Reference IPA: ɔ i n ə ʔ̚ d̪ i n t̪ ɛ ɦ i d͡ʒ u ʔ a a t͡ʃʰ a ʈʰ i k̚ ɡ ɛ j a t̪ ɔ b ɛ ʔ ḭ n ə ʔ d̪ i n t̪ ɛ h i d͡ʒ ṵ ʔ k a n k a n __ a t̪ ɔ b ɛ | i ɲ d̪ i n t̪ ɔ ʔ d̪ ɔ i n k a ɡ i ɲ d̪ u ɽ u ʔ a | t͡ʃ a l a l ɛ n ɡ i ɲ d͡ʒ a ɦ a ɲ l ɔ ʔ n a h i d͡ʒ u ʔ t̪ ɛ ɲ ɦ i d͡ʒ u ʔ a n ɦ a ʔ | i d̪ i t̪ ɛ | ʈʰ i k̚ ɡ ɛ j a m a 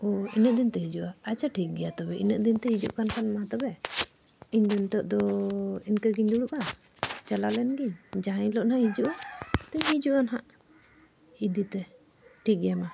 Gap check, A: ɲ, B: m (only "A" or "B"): B